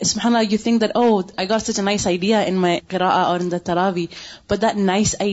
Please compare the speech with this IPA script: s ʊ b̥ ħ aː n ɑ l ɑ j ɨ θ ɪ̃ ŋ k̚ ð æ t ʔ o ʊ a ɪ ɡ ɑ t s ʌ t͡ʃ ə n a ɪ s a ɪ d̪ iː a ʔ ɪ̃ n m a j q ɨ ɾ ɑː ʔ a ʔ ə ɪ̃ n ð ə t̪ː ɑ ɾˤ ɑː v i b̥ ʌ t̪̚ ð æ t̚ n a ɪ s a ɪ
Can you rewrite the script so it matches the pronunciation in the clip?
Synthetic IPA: s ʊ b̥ ħ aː n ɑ l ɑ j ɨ θ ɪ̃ ŋ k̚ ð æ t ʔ o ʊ a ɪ ɡ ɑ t s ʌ t͡ʃ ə n a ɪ s a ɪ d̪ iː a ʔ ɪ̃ n m a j q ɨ ɾ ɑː ʔ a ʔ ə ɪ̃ n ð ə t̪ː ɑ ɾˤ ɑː v i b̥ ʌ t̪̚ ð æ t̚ n a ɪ s a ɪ